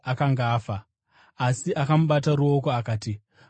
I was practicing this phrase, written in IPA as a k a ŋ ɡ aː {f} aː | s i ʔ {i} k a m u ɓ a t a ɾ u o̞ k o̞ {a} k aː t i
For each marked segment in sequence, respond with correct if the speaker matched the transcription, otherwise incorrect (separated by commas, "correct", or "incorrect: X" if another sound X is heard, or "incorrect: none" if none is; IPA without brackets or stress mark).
correct, incorrect: a, correct